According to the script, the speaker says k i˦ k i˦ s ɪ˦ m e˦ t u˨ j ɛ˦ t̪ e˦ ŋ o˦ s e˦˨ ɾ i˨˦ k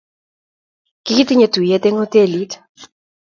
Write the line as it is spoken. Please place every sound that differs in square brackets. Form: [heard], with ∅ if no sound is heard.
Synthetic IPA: k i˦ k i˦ [t] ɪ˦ [ɲ] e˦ t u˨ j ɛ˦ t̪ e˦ ŋ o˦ [t] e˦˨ [l] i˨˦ [t]